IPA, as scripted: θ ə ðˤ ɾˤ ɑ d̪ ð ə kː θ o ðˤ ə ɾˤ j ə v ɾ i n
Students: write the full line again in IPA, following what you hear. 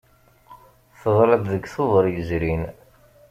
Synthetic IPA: θ ə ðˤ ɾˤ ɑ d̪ ð ə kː θ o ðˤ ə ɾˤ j ə z ɾ i n